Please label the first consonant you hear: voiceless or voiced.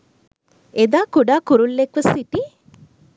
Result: voiced